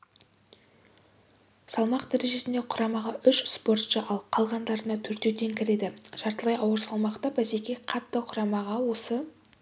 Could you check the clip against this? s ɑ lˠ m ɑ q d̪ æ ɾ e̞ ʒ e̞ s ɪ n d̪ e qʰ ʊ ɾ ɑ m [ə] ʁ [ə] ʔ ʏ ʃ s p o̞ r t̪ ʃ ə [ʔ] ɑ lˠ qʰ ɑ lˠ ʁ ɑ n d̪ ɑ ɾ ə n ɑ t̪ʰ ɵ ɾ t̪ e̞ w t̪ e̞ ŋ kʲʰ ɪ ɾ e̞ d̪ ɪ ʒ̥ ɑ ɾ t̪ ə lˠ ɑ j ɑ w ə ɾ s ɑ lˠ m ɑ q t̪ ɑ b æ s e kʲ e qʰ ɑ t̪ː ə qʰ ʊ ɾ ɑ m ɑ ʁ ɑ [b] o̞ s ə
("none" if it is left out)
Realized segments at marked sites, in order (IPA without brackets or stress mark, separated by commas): ɑ, ɑ, ʔ, w